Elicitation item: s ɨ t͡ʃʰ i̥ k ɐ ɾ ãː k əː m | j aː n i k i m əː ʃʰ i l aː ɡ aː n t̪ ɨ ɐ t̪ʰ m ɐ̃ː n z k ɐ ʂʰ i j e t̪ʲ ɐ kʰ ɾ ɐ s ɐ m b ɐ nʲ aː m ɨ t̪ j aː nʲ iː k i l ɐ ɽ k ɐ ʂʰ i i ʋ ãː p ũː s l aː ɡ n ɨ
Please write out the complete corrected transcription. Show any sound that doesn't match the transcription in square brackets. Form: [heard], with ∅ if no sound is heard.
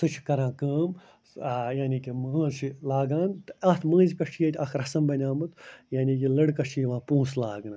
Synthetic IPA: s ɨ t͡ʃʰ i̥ k ɐ ɾ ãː k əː m | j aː n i k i m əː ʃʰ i l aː ɡ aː n t̪ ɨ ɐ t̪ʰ m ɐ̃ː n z k ɐ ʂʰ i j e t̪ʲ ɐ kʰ ɾ ɐ s ɐ m b ɐ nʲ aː m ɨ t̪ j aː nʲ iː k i l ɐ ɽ k ɐ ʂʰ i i ʋ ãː p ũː s l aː ɡ n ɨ